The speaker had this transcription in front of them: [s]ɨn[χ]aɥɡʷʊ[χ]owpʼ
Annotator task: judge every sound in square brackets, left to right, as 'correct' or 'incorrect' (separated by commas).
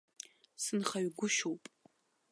correct, correct, incorrect